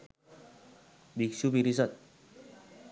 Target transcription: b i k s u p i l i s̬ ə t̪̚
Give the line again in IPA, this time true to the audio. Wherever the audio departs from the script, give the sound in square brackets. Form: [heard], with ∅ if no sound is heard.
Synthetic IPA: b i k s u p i [ɾ] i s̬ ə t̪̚